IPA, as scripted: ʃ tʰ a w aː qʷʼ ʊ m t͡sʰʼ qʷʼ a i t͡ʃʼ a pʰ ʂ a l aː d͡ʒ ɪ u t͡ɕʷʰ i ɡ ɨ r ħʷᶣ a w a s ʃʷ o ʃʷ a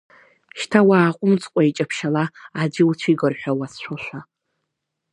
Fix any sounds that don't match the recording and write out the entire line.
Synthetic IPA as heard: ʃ tʰ a w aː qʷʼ ʊ m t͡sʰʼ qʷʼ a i t͡ʃʼ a pʰ ʃ a l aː d͡ʒ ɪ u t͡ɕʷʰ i ɡ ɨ r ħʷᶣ a w a s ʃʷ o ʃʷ a